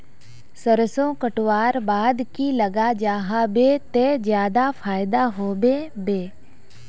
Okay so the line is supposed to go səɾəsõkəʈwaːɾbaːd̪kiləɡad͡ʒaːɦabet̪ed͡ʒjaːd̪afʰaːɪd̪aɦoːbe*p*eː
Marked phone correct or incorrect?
incorrect